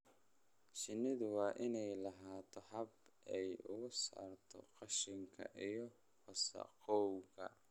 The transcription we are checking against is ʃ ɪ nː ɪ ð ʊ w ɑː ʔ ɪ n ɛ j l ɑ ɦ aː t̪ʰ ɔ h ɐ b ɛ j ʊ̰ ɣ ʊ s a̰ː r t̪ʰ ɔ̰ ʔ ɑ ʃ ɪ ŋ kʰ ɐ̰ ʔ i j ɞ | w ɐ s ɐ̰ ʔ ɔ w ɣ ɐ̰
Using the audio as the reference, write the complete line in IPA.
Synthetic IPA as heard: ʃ ɪ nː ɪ ð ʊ w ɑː ʔ ɪ n ɛ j l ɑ ɦ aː t̪ʰ ɔ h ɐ b ɛ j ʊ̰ ɣ ʊ s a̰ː r t̪ʰ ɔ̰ q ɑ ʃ ɪ ŋ kʰ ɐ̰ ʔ i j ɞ | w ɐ s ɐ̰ q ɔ w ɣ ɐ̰